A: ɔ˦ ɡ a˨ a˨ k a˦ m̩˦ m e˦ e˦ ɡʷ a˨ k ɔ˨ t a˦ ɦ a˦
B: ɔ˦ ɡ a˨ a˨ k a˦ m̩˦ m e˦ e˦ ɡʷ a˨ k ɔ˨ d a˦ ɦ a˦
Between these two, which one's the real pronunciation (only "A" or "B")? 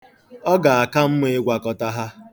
A